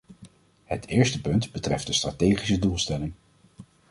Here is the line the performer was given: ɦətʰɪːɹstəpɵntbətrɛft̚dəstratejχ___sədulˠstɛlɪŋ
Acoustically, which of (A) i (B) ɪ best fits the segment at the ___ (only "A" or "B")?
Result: A